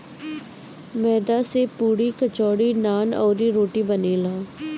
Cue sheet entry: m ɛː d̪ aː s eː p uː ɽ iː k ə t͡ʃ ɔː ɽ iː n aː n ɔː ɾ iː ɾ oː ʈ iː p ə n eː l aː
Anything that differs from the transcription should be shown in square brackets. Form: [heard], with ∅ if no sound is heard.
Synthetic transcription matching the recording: m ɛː d̪ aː s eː p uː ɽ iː k ə t͡ʃ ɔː ɽ iː n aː n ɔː ɾ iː ɾ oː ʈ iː [b] ə n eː l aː

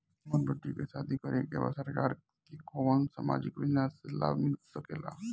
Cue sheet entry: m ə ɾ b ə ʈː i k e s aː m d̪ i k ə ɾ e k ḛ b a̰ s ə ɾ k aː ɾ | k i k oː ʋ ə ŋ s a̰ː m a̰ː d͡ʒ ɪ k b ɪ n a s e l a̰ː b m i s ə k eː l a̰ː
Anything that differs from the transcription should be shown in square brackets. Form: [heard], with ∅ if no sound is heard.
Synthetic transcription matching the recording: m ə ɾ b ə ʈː i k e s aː [∅] d̪ i k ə ɾ e k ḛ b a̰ s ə ɾ k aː ɾ | k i k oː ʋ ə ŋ s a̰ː m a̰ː d͡ʒ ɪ k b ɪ n a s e l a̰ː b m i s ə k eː l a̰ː

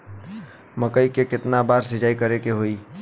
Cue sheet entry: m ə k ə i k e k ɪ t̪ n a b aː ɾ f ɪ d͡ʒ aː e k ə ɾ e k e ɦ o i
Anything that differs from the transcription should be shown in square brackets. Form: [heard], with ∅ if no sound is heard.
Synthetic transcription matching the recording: m ə k ə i k e k ɪ t̪ n a b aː ɾ [s] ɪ d͡ʒ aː [i] k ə ɾ e k e ɦ o i

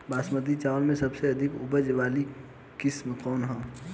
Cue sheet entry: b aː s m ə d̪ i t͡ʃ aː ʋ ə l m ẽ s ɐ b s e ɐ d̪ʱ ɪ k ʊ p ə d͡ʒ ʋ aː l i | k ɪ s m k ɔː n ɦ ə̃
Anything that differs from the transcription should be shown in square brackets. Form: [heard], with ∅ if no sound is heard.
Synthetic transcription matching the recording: b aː s m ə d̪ i t͡ʃ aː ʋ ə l m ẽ s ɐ b s e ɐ d̪ʱ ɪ k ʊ [b] ə d͡ʒ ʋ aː l i | k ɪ s m k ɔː n ɦ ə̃

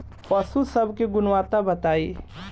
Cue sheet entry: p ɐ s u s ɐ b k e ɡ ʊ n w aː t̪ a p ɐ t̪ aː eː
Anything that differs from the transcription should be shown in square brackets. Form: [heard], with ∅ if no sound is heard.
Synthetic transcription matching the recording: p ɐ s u s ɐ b k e ɡ ʊ n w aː t̪ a [b] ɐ t̪ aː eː

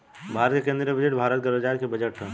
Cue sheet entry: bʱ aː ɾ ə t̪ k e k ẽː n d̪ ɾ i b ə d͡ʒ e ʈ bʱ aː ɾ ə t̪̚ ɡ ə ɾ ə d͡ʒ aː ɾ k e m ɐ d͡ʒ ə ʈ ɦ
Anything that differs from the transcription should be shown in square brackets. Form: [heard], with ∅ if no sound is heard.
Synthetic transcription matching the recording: bʱ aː ɾ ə t̪ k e k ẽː n d̪ ɾ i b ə d͡ʒ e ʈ bʱ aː ɾ ə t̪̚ ɡ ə ɾ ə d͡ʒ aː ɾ k e [b] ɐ d͡ʒ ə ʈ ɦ

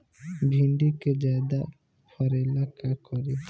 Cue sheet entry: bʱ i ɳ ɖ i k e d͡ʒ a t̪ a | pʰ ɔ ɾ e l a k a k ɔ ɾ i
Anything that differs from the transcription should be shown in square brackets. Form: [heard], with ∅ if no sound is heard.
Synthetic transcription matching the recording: bʱ i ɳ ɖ i k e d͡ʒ a [d̪] a | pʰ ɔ ɾ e l a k a k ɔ ɾ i

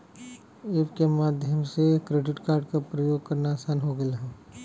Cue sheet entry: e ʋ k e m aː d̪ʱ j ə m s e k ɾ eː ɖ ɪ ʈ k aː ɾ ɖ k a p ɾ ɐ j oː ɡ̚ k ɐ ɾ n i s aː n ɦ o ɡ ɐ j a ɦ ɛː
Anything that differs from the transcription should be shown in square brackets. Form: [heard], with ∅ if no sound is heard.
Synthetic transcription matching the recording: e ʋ k e m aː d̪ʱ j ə m s e k ɾ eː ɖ ɪ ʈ k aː ɾ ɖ k a p ɾ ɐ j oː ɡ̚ k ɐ ɾ n [a] s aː n ɦ o ɡ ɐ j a ɦ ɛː

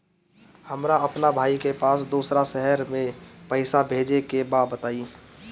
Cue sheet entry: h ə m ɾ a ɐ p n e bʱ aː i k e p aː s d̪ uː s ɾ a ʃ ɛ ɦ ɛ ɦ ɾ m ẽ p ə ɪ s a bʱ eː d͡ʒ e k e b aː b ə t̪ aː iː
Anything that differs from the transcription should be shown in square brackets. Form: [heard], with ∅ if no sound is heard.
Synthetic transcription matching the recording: h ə m ɾ a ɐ p n [a] bʱ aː i k e p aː s d̪ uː s ɾ a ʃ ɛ ɦ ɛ [∅] ɾ m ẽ p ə ɪ s a bʱ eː d͡ʒ e k e b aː b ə t̪ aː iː

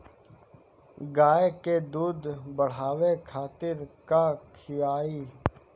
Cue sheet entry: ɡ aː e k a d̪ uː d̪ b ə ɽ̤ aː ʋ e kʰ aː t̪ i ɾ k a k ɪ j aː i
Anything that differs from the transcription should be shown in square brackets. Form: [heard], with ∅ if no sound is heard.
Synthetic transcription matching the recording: ɡ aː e k [e] d̪ uː d̪ b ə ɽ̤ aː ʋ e kʰ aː t̪ [ɪ] ɾ k a [kʰ] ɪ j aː i

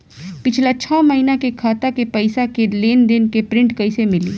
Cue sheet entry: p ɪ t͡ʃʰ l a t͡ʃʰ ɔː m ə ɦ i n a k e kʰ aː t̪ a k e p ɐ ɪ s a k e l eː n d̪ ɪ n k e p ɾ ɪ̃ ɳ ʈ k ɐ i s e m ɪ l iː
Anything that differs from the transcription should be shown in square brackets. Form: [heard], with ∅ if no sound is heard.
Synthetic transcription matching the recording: p ɪ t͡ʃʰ l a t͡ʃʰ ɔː m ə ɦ i n a k e kʰ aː t̪ a k e p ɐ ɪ s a k e l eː n d̪ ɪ n k e p ɾ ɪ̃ ɳ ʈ k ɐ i s e m ɪ l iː

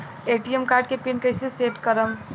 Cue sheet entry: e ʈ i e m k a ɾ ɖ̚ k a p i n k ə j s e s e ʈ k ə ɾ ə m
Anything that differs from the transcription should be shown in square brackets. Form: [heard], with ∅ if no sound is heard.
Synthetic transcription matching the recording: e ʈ i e m k a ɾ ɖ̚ k [e] p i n k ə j s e s e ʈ k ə ɾ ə m

